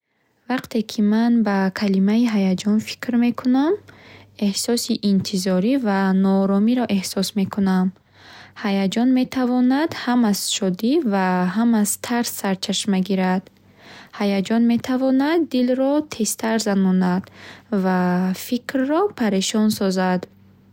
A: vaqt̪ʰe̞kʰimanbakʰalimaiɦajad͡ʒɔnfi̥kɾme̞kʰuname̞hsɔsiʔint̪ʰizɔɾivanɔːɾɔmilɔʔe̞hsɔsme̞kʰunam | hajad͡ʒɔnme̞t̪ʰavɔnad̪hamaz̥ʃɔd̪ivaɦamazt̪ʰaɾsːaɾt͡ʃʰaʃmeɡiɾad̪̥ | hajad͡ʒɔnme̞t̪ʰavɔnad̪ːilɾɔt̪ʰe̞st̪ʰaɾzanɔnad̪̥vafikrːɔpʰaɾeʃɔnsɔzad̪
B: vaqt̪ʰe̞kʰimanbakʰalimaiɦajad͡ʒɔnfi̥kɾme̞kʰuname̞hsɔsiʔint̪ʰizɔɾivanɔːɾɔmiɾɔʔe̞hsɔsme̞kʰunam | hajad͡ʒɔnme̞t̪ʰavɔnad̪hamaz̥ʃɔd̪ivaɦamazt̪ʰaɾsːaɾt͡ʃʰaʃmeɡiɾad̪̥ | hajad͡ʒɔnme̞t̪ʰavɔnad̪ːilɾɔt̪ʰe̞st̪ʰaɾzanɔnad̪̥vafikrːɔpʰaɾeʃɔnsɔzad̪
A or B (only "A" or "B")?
B